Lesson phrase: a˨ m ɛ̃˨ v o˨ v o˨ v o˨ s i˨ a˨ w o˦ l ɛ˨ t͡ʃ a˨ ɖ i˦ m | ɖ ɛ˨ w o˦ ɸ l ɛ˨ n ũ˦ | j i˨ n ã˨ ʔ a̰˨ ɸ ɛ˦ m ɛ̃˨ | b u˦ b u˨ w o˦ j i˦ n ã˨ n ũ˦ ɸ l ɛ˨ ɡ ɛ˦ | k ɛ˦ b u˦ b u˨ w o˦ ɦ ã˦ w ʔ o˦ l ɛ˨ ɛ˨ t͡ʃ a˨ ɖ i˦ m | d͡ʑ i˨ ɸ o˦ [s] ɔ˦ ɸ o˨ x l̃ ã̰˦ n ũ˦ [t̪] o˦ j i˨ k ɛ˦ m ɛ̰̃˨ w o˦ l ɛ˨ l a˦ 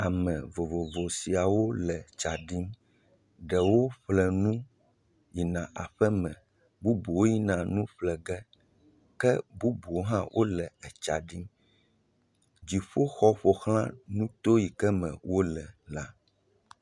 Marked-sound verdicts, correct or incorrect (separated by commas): incorrect, correct